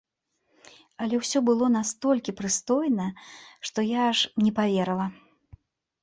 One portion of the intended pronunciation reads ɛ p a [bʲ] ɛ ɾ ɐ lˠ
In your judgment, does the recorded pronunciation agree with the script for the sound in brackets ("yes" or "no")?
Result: no